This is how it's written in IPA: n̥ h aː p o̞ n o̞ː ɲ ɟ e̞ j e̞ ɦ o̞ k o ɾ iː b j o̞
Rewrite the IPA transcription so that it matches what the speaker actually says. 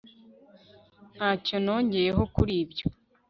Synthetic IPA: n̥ h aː c o̞ n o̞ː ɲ ɟ e̞ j e̞ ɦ o̞ k u ɾ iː b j o̞